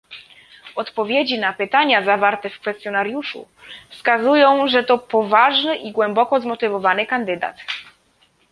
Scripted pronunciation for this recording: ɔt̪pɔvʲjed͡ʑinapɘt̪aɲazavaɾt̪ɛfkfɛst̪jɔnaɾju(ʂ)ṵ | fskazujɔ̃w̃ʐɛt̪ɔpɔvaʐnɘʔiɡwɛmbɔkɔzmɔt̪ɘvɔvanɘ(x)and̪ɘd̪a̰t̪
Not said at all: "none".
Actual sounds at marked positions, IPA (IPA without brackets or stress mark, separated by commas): ʂ, k